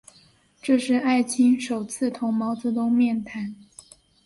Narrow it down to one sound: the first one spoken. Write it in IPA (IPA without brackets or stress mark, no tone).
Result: ʈ͡ʂ